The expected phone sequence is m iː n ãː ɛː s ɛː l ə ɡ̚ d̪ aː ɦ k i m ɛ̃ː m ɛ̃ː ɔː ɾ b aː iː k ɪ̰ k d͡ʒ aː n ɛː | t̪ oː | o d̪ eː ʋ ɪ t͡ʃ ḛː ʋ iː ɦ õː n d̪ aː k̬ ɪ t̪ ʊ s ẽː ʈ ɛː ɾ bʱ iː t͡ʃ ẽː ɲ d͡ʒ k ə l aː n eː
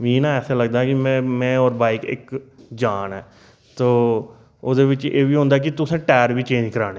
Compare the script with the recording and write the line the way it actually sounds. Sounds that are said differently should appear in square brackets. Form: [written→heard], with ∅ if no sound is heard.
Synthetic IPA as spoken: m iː n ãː ɛː s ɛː l ə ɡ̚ d̪ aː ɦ k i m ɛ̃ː m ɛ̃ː ɔː ɾ b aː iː k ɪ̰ k d͡ʒ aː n ɛː | t̪ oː | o d̪ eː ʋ ɪ t͡ʃ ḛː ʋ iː ɦ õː n d̪ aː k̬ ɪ t̪ ʊ s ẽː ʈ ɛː ɾ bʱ iː t͡ʃ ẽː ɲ d͡ʒ k ə [l→ɾ] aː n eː